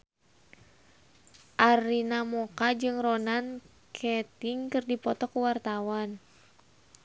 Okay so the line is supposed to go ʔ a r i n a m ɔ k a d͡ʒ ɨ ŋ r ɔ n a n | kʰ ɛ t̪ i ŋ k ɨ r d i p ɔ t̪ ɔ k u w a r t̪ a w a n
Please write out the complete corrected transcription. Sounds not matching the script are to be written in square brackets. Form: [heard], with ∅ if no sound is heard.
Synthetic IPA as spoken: ʔ a r i n a m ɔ k a d͡ʒ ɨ ŋ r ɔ n a n | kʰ ɛ t̪ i ŋ k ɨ r d i p ɔ t̪ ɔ k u w a r t̪ a w a n